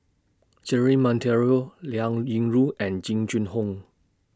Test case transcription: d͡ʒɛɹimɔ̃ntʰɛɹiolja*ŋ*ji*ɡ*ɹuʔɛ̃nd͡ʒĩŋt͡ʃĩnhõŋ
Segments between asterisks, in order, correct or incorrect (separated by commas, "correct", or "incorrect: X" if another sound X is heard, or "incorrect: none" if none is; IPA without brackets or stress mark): correct, incorrect: ŋ